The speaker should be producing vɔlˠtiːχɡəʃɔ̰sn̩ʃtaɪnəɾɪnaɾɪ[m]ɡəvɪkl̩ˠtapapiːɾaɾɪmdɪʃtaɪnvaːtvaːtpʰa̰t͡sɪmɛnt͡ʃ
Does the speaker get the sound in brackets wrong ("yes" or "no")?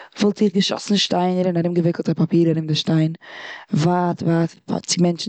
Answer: no